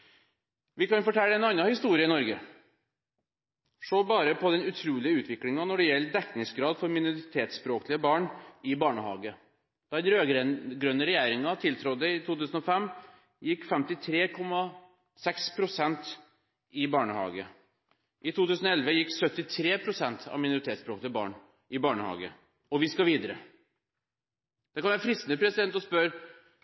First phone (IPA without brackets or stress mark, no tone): ʋ